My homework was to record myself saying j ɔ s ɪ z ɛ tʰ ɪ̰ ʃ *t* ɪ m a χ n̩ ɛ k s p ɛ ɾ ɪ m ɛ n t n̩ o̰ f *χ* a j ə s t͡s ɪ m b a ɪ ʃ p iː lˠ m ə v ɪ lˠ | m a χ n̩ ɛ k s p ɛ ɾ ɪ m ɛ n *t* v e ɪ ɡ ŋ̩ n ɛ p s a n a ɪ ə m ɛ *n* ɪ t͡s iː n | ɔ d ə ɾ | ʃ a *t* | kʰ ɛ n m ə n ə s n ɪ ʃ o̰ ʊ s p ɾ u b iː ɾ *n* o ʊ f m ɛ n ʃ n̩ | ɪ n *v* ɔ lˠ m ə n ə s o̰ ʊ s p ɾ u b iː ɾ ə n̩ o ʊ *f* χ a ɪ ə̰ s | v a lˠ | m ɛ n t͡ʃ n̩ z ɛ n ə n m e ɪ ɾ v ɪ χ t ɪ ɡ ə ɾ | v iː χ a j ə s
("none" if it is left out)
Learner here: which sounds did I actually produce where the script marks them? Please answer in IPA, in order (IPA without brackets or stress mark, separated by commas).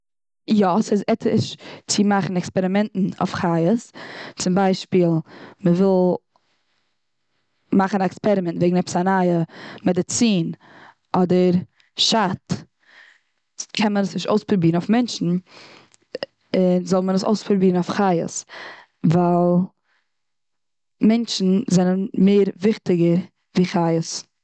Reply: t͡s, χ, t, d, t, n, z, f